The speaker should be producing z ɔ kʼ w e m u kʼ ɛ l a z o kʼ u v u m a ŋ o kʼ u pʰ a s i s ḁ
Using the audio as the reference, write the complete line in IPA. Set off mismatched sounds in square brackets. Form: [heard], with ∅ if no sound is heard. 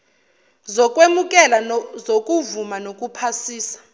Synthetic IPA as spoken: z ɔ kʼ w e m u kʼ ɛ l a z o kʼ u v u m a [n] o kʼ u pʰ a s [iː] s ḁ